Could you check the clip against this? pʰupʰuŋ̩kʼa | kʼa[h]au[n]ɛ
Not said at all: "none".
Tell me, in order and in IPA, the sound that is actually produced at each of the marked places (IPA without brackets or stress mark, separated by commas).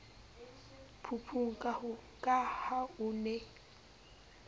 h, n